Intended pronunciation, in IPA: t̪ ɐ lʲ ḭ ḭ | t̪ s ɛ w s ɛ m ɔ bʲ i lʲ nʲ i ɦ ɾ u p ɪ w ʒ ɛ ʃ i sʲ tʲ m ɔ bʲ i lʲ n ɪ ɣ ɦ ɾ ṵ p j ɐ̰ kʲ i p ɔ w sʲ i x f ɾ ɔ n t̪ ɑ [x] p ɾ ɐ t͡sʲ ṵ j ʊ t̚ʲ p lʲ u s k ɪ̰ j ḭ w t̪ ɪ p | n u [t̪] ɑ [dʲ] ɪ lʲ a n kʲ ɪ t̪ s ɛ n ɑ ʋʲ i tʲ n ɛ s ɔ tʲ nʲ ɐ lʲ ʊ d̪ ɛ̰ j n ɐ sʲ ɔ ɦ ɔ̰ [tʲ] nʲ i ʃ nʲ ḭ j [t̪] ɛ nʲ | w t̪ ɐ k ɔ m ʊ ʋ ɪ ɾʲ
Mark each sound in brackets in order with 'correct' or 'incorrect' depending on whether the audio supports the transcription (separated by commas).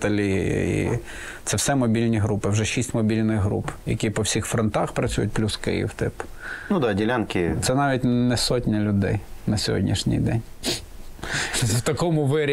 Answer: correct, incorrect, correct, incorrect, incorrect